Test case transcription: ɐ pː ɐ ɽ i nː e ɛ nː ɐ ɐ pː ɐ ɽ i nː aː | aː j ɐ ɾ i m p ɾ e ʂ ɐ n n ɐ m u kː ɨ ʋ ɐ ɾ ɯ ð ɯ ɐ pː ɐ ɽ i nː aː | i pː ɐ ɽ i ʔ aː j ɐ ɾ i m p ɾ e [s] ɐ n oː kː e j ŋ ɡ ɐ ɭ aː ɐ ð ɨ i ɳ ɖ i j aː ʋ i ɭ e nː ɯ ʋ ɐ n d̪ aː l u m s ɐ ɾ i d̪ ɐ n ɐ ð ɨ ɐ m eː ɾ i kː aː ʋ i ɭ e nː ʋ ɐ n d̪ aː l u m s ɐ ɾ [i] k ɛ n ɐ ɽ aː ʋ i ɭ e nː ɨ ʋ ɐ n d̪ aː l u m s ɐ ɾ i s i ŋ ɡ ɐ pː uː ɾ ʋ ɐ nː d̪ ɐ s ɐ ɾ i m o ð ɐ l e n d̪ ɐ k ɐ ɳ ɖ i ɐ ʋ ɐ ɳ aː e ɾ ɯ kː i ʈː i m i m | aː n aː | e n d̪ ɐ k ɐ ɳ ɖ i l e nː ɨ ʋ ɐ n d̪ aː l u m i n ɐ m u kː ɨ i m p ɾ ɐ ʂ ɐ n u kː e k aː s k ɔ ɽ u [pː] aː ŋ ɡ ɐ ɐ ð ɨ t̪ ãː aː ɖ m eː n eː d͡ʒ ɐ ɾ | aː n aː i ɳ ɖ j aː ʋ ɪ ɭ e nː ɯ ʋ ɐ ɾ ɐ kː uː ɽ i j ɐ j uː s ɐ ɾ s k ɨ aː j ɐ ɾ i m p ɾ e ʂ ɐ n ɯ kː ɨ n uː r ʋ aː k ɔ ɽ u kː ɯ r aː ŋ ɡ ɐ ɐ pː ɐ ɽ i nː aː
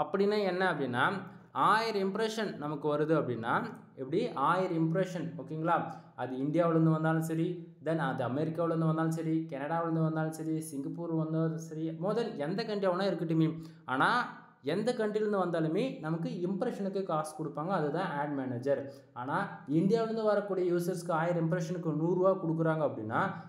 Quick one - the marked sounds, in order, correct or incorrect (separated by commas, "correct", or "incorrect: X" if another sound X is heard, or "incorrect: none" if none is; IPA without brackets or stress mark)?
incorrect: ʂ, correct, correct